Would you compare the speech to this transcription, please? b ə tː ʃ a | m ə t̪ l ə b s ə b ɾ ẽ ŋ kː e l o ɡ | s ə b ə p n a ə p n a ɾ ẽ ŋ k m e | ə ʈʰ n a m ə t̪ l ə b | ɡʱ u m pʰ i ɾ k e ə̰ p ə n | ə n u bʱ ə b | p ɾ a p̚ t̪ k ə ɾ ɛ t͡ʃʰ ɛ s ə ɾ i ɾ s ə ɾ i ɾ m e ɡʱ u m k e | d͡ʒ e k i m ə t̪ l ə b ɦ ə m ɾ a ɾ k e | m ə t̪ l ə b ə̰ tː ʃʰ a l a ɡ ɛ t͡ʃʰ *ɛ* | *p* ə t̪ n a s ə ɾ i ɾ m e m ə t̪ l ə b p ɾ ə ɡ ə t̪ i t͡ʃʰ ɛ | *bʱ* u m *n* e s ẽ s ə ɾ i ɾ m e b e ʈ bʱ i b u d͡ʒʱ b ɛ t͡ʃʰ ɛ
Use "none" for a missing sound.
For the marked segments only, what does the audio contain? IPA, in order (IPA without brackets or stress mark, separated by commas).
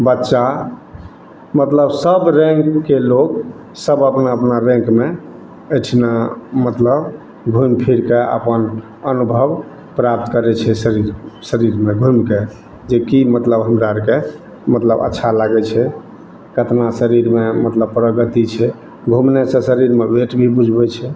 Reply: ɛ, k, ɡʱ, n